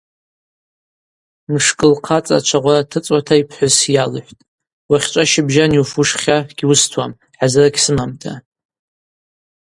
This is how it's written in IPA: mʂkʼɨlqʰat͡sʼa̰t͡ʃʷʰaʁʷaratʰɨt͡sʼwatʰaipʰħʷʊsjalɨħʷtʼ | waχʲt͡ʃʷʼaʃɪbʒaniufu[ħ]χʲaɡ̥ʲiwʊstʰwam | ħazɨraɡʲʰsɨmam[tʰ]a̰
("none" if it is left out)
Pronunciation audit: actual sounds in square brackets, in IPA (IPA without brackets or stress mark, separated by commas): ʂ, tʰ